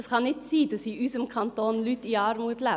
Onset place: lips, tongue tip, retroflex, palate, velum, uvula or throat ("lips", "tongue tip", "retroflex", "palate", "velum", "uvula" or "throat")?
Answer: tongue tip